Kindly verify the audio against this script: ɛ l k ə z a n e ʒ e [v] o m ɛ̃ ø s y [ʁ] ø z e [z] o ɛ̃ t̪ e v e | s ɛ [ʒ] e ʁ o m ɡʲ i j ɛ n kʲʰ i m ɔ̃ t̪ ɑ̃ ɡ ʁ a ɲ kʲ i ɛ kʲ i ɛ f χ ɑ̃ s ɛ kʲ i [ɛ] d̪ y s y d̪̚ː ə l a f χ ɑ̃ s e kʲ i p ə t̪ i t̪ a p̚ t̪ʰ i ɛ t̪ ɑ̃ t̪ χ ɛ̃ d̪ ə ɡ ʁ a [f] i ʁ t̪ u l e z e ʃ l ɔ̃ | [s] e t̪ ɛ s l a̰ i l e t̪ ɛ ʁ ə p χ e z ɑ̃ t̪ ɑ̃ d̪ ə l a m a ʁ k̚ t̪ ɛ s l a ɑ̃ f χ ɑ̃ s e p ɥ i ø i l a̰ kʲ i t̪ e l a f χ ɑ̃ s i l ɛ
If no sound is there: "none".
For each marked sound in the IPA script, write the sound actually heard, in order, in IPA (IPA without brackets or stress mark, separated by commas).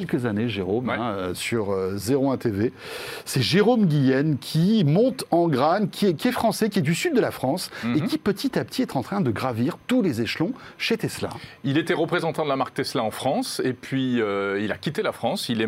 ʁ, ʁ, ʁ, ʒ, ɛ, v, ʃ